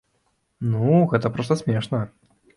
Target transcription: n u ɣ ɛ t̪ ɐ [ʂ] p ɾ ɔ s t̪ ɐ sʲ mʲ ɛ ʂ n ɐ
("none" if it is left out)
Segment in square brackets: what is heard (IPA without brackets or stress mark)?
none